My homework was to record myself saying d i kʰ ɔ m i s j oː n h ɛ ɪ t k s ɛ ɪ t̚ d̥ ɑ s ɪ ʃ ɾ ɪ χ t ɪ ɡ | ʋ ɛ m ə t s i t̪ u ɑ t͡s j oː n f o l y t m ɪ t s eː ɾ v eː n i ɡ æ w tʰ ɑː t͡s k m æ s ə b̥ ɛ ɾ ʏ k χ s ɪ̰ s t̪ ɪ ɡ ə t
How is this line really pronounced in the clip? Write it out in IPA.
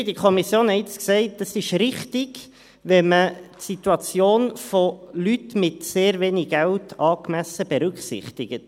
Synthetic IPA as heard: d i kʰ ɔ m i s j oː n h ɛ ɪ t͡s k s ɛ ɪ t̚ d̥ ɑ s ɪ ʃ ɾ ɪ χ t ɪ ɡ | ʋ ɛ m ə t s i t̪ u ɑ t͡s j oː n f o l y t m ɪ t s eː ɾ v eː n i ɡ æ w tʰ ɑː k m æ s ə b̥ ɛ ɾ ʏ k χ s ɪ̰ χ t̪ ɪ ɡ ə t